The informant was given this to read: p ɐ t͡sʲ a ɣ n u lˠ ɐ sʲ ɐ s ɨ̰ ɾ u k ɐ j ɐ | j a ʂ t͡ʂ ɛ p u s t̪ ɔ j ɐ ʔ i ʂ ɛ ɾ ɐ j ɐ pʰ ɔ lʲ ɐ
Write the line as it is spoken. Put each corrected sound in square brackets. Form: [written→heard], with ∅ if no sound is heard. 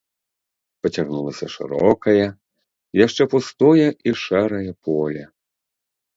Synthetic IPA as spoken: p ɐ t͡sʲ a ɣ n u lˠ ɐ sʲ ɐ [s→ʂ] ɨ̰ ɾ [u→ɔ] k ɐ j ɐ | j a ʂ t͡ʂ ɛ p u s t̪ ɔ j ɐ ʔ i ʂ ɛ ɾ ɐ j ɐ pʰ ɔ lʲ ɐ

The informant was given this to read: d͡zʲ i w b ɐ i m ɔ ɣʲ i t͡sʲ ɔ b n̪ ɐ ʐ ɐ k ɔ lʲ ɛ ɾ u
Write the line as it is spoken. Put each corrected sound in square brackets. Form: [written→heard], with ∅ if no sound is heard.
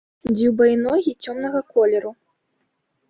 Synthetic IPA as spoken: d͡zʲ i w b ɐ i [m→n] ɔ ɣʲ i t͡sʲ ɔ [b→m] n̪ ɐ [ʐ→ɣ] ɐ k ɔ lʲ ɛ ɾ u

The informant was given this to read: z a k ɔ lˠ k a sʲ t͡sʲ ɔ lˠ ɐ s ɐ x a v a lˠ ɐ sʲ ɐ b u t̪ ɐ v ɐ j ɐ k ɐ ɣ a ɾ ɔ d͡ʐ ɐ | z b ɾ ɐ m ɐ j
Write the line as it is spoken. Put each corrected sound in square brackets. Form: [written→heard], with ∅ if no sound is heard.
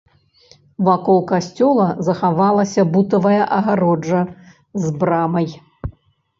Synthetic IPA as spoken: [z→v] a k ɔ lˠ k a sʲ t͡sʲ ɔ lˠ ɐ [s→z] ɐ x a v a lˠ ɐ sʲ ɐ b u t̪ ɐ v ɐ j ɐ [k→ʔ] ɐ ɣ a ɾ ɔ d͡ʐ ɐ | z b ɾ [ɐ→a] m ɐ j

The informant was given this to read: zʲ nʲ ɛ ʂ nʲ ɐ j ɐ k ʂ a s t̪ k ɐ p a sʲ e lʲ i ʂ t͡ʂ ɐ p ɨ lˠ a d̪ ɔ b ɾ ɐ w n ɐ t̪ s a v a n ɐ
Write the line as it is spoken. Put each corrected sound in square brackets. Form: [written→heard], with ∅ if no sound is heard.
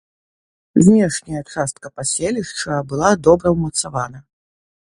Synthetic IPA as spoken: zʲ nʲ ɛ ʂ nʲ ɐ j ɐ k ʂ a s t̪ k ɐ p a sʲ e lʲ i ʂ t͡ʂ ɐ [p→b] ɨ lˠ a d̪ ɔ b ɾ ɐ w [n→m] ɐ t̪ s a v a n ɐ

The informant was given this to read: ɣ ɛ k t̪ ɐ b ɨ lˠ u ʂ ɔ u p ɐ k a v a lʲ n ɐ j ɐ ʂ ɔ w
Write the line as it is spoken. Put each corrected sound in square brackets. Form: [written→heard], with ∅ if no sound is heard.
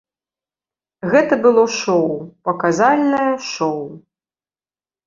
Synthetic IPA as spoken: ɣ ɛ [k→∅] t̪ ɐ b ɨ lˠ [u→ɔ] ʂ ɔ [u→w] p ɐ k a [v→z] a lʲ n ɐ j ɐ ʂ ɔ w

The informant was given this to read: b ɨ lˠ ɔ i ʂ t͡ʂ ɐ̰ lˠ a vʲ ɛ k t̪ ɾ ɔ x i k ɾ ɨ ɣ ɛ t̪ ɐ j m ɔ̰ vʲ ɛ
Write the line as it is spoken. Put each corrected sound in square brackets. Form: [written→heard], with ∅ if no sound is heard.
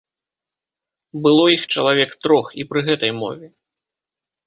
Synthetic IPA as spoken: b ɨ lˠ ɔ i [ʂ→x] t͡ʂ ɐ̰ lˠ a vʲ ɛ k t̪ ɾ ɔ x i [k→p] ɾ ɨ ɣ ɛ t̪ ɐ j m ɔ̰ vʲ ɛ

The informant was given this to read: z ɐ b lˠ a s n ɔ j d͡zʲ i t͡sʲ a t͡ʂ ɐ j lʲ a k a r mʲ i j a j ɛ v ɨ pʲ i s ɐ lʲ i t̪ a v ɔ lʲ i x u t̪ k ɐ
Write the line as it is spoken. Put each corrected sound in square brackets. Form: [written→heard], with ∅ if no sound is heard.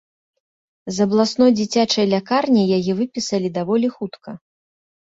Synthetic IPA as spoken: z ɐ b lˠ a s n ɔ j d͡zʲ i t͡sʲ a t͡ʂ ɐ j lʲ a k a r [mʲ→nʲ] i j a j ɛ v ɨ pʲ i s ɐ lʲ i [t̪→d̪] a v ɔ lʲ i x u t̪ k ɐ

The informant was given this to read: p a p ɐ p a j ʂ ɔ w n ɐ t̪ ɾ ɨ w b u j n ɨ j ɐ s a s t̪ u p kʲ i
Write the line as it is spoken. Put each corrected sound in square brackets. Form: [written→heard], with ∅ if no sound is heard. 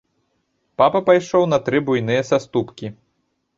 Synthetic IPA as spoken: p a p ɐ p a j ʂ ɔ w n ɐ t̪ ɾ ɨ [w→∅] b u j n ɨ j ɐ s a s t̪ u p kʲ i

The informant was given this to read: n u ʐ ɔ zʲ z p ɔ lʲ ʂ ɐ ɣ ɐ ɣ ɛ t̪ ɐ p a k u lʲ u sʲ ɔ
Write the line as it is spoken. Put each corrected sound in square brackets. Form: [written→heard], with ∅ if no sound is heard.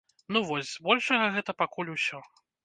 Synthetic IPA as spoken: n u [ʐ→v] ɔ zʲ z [p→b] ɔ lʲ ʂ ɐ ɣ ɐ ɣ ɛ t̪ ɐ p a k u lʲ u sʲ ɔ

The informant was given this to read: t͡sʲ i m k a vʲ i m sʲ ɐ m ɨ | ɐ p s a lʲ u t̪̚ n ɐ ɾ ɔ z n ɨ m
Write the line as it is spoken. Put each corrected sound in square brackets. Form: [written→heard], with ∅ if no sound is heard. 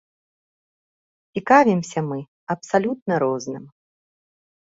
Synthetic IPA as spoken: t͡sʲ i [m→∅] k a vʲ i m sʲ ɐ m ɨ | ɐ p s a lʲ u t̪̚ n ɐ ɾ ɔ z n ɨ m

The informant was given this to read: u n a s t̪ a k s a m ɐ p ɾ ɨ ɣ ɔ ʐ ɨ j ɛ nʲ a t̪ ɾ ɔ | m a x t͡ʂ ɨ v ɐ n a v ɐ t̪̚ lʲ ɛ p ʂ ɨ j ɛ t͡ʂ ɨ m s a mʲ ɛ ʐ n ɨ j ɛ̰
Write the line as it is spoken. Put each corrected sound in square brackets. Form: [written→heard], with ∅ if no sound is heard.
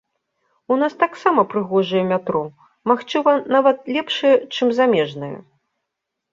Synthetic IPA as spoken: u n a s t̪ a k s a m ɐ p ɾ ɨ ɣ ɔ ʐ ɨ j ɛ [nʲ→mʲ] a t̪ ɾ ɔ | m a x t͡ʂ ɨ v ɐ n a v ɐ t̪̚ lʲ ɛ p ʂ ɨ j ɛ t͡ʂ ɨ m [s→z] a mʲ ɛ ʐ n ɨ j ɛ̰

